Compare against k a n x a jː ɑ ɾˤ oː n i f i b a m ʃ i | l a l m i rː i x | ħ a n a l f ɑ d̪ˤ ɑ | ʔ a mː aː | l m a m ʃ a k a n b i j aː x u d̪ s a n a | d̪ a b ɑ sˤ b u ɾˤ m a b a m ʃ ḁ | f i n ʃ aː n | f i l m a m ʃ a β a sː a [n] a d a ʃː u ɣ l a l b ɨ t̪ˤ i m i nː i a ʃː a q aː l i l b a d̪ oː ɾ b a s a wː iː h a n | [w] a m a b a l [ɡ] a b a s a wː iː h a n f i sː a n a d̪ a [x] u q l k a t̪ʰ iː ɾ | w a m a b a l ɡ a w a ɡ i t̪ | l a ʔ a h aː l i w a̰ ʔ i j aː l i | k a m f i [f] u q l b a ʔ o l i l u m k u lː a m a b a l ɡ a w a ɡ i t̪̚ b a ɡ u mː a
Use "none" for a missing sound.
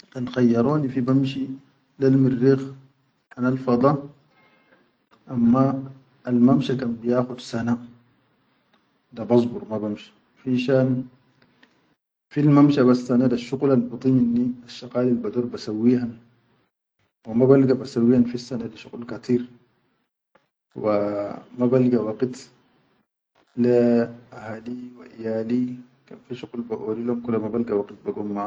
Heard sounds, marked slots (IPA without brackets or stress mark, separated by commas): n, w, ɡ, ʃ, ʃ